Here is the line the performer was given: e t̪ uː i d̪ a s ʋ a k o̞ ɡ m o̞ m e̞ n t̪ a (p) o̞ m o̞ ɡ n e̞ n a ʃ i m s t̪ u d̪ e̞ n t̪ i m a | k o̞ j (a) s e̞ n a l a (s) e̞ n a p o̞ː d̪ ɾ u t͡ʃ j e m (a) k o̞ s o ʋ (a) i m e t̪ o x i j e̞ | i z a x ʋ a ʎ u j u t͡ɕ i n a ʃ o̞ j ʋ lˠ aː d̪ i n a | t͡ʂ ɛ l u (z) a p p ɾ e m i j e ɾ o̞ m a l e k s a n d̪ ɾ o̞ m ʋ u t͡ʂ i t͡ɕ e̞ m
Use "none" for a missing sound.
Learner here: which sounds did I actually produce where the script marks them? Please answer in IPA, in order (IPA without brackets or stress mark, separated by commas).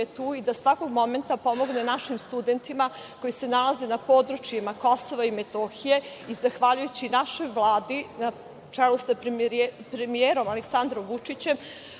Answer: p, i, z, a, a, s